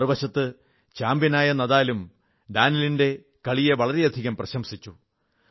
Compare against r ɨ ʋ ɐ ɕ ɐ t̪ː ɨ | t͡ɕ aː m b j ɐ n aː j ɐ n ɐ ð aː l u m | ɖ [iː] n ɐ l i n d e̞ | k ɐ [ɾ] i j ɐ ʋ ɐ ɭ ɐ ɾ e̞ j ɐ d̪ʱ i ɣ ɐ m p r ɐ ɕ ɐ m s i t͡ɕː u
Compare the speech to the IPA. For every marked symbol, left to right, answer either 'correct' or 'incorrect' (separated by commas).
incorrect, incorrect